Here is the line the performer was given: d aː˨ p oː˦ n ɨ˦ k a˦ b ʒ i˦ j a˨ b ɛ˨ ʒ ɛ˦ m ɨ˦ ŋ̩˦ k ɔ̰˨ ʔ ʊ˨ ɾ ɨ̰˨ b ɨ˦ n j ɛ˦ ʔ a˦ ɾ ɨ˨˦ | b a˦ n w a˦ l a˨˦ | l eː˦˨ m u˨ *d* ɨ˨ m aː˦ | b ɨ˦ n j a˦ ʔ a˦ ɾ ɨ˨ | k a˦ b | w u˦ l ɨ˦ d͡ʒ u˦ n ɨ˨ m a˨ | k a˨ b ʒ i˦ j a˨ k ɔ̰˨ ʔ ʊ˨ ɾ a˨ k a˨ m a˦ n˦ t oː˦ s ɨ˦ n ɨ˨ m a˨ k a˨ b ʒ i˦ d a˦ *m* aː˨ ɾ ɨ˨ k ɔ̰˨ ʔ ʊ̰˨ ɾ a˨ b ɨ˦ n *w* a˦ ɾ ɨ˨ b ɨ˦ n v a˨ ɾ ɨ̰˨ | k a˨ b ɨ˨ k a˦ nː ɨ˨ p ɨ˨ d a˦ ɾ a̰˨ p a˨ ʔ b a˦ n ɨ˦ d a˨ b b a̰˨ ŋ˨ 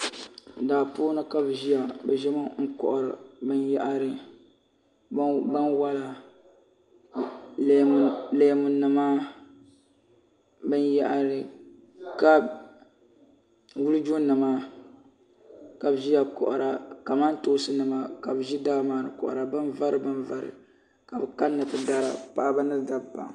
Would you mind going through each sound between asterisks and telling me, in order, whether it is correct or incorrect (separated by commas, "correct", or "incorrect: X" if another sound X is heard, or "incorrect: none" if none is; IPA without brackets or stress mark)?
incorrect: n, correct, incorrect: v